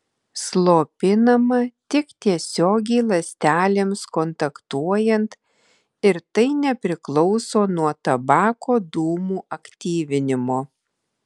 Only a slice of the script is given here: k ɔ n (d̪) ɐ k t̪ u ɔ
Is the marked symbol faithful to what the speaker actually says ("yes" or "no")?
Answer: no